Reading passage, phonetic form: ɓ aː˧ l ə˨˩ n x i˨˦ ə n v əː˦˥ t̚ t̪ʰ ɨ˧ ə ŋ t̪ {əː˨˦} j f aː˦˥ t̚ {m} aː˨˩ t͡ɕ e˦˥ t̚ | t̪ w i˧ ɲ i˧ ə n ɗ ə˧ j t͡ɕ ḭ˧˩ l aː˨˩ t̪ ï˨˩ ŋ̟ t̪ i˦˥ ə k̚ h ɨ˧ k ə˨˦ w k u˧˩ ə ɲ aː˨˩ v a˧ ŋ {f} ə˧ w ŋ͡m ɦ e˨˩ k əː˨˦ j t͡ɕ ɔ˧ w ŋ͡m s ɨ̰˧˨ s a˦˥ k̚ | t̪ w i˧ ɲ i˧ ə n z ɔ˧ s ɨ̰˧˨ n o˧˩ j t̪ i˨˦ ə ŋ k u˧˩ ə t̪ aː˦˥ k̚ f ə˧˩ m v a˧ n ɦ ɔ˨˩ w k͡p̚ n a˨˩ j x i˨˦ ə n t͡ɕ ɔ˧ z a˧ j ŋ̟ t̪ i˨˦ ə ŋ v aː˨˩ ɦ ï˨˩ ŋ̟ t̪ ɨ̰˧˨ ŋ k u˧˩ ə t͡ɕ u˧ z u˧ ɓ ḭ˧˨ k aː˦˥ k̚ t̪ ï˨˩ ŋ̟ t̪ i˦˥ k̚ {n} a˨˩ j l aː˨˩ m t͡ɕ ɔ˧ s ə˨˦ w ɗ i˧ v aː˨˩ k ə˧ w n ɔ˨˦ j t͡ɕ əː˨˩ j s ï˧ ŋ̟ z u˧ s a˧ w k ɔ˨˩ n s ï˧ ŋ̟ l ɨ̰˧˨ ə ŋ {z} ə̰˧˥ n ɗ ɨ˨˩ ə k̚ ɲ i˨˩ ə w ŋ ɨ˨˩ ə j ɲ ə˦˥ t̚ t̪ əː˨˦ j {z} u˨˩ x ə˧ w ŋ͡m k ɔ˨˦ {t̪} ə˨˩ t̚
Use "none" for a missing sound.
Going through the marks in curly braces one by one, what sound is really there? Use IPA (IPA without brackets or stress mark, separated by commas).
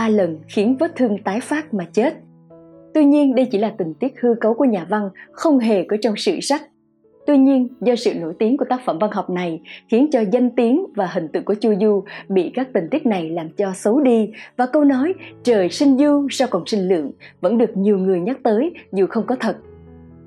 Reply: aː˨˦, m, x, n, v, z, t̪ʰ